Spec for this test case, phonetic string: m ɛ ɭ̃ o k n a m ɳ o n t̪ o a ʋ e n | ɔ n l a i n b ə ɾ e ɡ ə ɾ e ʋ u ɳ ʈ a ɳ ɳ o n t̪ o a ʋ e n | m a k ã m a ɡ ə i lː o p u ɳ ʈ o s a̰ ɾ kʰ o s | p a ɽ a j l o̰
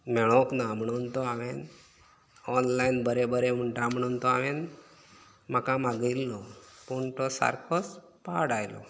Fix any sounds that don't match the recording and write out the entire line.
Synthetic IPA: m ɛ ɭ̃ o k n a m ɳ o n t̪ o a ʋ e n | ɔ n l a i n b ə ɾ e b ə ɾ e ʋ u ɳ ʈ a m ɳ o n t̪ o a ʋ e n | m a k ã m a ɡ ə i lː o p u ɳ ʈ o s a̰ ɾ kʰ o s | p a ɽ a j l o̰

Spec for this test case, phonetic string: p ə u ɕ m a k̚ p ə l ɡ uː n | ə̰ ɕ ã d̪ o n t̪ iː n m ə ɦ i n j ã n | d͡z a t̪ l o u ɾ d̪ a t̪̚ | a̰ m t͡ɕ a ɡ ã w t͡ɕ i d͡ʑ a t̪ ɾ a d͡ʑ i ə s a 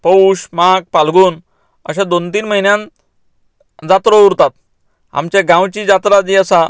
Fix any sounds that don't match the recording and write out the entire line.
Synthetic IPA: p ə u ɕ m a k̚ p a l ɡ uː n | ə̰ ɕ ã d̪ o n t̪ iː n m ə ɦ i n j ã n | d͡z a t̪ ɾ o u ɾ t̪ a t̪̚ | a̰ m t͡ɕ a ɡ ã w t͡ɕ i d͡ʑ a t̪ ɾ a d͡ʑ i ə s a

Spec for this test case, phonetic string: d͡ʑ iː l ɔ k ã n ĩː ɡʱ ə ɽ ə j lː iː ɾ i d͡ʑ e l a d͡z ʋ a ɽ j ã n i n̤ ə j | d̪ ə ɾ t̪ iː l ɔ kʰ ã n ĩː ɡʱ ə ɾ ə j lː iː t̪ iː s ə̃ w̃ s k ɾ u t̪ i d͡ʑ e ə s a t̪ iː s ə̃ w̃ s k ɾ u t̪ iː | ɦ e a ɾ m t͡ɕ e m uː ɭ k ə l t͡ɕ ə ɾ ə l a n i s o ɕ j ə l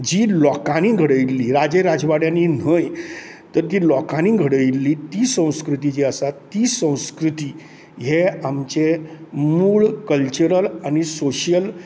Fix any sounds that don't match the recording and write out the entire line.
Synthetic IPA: d͡ʑ iː l ɔ k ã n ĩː ɡʱ ə ɽ ə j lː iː ɾ a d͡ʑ e ɾ a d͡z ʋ a ɽ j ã n i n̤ ə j | t̪ ə ɾ t̪ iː l ɔ k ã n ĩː ɡʱ ə ɽ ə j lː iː t̪ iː s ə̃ w̃ s k ɾ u t̪ i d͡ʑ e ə s a t̪ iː s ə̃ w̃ s k ɾ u t̪ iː | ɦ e a m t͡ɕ e m uː ɭ k ə l t͡ɕ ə ɾ ə l a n i s o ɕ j ə l

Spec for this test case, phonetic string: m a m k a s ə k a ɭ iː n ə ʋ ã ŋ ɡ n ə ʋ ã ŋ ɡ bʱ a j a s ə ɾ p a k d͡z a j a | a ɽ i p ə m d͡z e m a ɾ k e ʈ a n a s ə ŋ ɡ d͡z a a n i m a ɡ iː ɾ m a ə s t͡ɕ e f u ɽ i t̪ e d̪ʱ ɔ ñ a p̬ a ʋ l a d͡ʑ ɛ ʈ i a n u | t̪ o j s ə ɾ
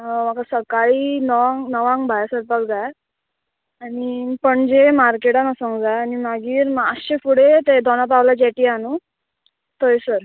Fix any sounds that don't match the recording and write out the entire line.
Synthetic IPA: m a k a s ə k a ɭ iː n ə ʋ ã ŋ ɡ n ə ʋ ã ŋ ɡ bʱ a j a s ə ɾ p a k d͡z a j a | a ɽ i p ə ɳ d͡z e m a ɾ k e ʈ a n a s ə ŋ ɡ d͡z a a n i m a ɡ iː ɾ m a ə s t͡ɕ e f u ɽ e t̪ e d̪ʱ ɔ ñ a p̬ a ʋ l a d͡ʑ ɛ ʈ i a n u | t̪ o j s ə ɾ

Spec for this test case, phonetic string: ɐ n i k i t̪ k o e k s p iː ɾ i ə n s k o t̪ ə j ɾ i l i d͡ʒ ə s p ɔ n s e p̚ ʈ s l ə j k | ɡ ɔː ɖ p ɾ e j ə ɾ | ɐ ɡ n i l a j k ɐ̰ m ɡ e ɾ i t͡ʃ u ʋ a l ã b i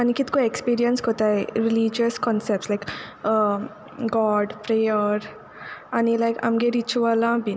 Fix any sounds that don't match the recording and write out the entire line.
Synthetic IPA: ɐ n i k i t̪ k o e k s p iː ɾ i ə n s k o t̪ a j ɾ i l i d͡ʒ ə s k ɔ n s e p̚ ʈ s l a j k | ɡ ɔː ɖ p ɾ e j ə ɾ | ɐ n i l a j k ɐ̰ m ɡ e ɾ i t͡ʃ u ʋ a l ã b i

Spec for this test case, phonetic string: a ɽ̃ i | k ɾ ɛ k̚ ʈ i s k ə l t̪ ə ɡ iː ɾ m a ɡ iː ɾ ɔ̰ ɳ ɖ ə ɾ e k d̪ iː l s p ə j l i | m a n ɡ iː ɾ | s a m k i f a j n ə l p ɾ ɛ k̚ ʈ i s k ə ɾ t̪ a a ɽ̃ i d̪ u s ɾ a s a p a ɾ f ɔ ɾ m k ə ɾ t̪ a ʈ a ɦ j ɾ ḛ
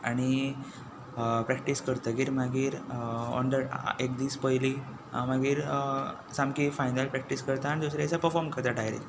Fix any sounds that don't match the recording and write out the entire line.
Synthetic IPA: a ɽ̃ i | p ɾ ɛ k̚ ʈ i s k ə ɾ t̪ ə ɡ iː ɾ m a ɡ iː ɾ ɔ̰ ɳ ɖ ə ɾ e k d̪ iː s p ə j l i | m a ɡ iː ɾ | s a m k i f a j n ə l p ɾ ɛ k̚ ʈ i s k ə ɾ t̪ a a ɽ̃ i d̪ u s ɾ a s a p ə ɾ f ɔ ɾ m k ə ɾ t̪ a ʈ a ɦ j ɾ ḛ

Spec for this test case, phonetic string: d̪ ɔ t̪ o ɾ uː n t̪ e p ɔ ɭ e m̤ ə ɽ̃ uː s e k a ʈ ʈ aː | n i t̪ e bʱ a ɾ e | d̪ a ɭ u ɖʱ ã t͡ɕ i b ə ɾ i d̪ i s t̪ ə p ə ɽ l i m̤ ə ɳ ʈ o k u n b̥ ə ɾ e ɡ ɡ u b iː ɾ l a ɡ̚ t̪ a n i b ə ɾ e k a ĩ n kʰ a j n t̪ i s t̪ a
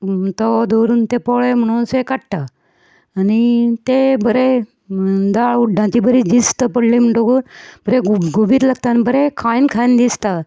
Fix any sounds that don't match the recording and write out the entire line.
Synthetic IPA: t̪ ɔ d̪ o ɾ uː n t̪ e p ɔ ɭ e m̤ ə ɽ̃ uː s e k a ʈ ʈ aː | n i t̪ e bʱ ə ɾ e | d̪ a ɭ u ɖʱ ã t͡ɕ i b ə ɾ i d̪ i s t̪ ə p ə ɽ l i m̤ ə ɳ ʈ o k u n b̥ ə ɾ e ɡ ɡ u b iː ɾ l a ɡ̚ t̪ a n i b ə ɾ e kʰ a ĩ n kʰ a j n d̪ i s t̪ a

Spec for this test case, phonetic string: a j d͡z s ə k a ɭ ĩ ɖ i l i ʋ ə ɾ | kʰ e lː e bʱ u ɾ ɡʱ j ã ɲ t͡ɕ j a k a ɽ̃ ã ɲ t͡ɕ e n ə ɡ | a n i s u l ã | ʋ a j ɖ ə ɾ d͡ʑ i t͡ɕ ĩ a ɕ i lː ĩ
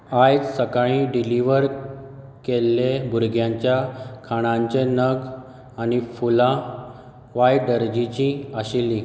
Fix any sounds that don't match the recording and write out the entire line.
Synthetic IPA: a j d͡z s ə k a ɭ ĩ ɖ i l i ʋ ə ɾ | k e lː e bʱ u ɾ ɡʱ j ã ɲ t͡ɕ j a kʰ a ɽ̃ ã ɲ t͡ɕ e n ə ɡ | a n i f u l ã | ʋ a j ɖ ə ɾ d͡ʑ i t͡ɕ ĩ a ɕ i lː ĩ

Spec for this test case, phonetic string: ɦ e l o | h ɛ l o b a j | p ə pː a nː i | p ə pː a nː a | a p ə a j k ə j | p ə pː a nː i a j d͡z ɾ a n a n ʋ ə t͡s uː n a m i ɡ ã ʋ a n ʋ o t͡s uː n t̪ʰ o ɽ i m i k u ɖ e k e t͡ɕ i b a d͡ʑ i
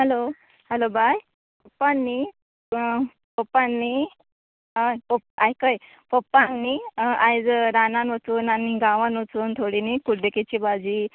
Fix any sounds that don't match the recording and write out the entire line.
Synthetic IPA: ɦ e l o | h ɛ l o b a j | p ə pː a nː i | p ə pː a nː i | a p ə a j k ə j | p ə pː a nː i a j d͡z ɾ a n a n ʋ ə t͡s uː n a n i ɡ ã ʋ a n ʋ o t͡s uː n t̪ʰ o ɽ i n i k u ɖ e k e t͡ɕ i b a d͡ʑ i

